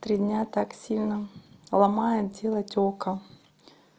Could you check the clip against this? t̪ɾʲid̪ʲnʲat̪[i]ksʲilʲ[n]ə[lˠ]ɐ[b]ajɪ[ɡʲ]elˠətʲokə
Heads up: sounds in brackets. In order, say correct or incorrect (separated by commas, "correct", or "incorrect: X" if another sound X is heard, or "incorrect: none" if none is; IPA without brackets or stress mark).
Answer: incorrect: a, correct, correct, incorrect: m, incorrect: dʲ